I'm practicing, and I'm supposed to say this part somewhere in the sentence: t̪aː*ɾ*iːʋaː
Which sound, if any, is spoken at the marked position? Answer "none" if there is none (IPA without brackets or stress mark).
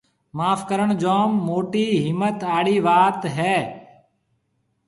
ɽ